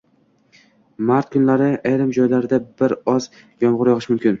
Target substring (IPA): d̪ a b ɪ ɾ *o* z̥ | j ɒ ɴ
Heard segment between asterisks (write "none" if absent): ɒ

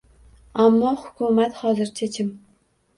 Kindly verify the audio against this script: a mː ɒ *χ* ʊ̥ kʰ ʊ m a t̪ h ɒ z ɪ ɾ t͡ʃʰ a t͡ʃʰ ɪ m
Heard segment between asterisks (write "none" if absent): h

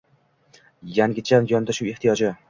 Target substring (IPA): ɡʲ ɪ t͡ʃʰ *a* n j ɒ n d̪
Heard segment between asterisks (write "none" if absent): a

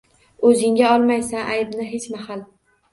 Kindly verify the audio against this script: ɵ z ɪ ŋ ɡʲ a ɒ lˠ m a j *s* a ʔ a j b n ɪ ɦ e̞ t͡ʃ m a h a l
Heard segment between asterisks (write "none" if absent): s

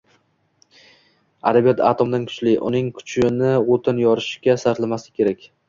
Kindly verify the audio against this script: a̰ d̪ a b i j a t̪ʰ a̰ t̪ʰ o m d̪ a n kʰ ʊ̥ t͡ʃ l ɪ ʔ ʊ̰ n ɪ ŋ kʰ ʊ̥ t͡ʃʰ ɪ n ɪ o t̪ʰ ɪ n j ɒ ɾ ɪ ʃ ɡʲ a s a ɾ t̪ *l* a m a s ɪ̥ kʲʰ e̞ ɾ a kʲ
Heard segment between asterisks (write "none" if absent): l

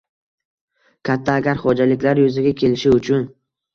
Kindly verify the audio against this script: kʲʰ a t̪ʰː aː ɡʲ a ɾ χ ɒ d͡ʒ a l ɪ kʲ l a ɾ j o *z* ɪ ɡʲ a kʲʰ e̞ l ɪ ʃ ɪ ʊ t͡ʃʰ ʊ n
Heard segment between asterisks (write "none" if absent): z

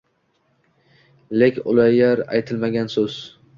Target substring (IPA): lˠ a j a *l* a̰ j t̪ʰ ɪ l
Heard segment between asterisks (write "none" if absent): ɾ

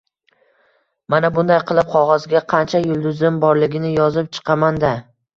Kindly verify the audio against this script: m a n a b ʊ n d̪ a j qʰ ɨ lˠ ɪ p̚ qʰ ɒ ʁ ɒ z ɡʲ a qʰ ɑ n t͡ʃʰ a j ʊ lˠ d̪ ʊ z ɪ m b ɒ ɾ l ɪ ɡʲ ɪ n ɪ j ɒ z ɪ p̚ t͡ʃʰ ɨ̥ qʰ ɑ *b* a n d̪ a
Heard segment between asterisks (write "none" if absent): m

